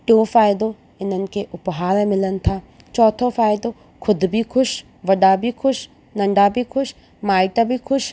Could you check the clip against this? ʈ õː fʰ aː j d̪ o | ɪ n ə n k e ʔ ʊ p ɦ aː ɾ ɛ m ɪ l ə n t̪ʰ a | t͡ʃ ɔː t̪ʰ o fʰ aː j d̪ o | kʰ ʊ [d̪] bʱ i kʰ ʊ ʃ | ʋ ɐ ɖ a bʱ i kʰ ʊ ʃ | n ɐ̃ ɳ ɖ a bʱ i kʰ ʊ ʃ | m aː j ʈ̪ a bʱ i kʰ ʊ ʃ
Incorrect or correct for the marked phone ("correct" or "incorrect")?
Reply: correct